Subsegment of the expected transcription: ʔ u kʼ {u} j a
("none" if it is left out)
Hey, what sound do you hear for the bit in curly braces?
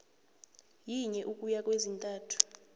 u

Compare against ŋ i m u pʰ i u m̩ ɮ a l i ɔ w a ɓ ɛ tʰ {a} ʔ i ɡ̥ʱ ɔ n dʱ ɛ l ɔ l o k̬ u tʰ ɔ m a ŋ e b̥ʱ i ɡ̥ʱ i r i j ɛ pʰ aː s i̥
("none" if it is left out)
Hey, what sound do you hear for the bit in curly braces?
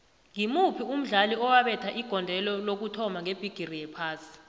a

